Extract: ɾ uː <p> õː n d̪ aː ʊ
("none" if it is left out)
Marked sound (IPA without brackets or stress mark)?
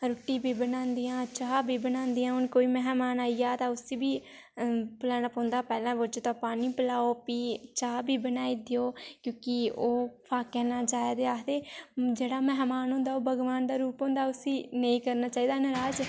p